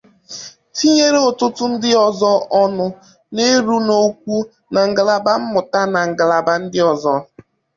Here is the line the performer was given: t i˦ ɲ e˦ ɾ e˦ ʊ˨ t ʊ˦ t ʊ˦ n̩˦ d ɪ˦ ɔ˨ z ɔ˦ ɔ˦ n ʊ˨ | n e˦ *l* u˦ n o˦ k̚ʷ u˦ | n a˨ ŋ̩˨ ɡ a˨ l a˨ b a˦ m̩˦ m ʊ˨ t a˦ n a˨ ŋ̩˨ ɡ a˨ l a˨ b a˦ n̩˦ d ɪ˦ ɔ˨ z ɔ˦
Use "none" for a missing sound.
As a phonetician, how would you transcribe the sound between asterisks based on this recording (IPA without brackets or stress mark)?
ɾ